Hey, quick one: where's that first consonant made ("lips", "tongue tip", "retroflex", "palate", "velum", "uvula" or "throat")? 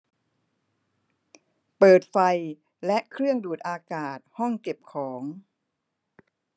lips